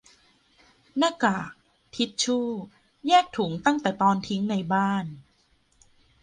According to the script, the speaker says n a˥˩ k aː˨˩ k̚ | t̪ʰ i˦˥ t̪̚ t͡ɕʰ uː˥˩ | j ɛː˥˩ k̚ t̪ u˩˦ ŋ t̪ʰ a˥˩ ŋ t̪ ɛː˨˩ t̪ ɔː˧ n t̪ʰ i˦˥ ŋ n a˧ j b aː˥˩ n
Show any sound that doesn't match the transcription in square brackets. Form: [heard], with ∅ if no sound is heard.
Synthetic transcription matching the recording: n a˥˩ k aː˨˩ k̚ | t̪ʰ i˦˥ t̪̚ t͡ɕʰ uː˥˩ | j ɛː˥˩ k̚ [t̪ʰ] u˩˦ ŋ [t̪] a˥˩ ŋ t̪ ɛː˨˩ t̪ ɔː˧ n t̪ʰ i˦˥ ŋ n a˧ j b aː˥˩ n